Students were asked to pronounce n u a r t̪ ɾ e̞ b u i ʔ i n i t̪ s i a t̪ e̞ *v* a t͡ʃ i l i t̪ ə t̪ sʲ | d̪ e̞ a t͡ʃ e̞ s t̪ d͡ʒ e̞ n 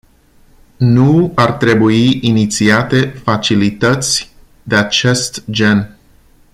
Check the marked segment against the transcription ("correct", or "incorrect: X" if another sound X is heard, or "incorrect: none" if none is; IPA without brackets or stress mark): incorrect: f